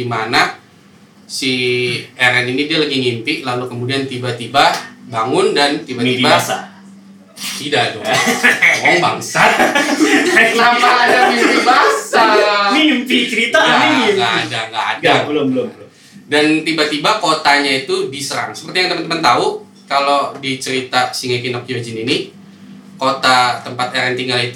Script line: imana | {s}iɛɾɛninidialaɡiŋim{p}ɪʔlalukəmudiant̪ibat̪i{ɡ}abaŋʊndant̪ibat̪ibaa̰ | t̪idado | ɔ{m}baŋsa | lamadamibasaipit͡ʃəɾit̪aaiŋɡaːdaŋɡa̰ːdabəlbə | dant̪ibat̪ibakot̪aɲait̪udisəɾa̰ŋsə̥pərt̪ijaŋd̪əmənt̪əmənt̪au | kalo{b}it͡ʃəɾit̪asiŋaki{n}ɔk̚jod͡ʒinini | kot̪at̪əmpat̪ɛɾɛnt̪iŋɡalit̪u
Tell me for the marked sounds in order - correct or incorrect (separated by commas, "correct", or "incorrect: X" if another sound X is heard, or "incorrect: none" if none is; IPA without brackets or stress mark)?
correct, correct, incorrect: b, incorrect: ŋ, incorrect: d, correct